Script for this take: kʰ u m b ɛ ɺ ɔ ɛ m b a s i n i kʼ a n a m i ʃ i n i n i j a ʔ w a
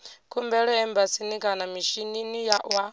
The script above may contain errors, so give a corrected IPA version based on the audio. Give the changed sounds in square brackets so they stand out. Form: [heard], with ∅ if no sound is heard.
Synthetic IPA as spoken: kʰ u m b ɛ ɺ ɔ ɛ m b a s i n i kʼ a n a m i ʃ i n i n i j a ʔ w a